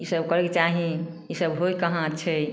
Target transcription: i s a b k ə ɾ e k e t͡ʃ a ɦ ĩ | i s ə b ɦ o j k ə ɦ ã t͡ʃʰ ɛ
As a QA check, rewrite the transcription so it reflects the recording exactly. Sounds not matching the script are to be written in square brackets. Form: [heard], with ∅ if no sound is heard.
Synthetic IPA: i s [ə] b k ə ɾ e k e t͡ʃ a ɦ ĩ | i s ə b ɦ o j k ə ɦ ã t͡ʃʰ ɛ